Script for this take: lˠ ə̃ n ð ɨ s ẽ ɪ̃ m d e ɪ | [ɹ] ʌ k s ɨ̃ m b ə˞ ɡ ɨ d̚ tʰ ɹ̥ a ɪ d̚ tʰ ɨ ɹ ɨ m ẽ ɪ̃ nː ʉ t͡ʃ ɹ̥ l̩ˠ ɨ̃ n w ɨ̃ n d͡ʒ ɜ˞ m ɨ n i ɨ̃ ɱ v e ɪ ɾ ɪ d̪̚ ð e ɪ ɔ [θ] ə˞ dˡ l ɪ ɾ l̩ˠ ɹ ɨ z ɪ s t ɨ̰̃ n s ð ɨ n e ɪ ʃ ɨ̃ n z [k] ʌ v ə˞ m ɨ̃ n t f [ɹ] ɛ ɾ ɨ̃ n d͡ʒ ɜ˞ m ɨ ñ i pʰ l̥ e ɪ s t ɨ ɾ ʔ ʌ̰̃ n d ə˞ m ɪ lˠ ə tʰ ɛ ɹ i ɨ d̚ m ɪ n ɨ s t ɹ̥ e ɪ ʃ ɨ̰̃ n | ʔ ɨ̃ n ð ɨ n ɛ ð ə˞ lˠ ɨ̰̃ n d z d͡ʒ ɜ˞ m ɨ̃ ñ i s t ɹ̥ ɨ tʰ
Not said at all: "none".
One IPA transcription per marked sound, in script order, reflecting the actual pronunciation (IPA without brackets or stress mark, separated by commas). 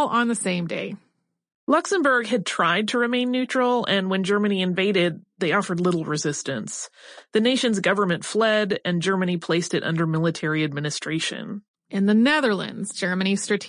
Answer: l, f, ɡ, l